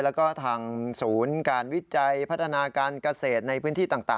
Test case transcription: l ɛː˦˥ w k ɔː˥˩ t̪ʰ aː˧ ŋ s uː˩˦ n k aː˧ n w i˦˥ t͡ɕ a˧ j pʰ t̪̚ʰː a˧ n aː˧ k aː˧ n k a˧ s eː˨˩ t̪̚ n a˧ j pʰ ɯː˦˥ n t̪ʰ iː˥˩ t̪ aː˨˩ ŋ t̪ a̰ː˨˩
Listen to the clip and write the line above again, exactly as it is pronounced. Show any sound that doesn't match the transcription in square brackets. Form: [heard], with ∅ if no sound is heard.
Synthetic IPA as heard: l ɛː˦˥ w k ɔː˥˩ t̪ʰ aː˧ ŋ s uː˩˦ n k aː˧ n w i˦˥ t͡ɕ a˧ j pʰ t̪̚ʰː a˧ n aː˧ k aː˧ n k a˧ s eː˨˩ t̪̚ n a˧ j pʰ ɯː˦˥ n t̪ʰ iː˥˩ t̪ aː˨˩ ŋ t̪ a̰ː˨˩